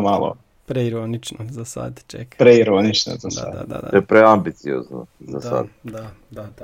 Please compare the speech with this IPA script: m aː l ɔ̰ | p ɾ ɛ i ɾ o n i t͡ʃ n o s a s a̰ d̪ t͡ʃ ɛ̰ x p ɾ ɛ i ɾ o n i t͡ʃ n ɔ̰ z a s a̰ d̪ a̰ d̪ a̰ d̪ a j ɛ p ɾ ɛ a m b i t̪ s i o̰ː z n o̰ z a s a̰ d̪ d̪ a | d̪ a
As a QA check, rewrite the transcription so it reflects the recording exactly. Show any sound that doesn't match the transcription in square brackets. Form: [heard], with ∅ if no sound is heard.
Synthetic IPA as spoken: m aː l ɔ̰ | p ɾ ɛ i ɾ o n i t͡ʃ n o [z] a s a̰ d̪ t͡ʃ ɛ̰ [k] p ɾ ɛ i ɾ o n i t͡ʃ n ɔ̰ z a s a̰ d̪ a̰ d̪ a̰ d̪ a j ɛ p ɾ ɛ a m b i t̪ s i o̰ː z n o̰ z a s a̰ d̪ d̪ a | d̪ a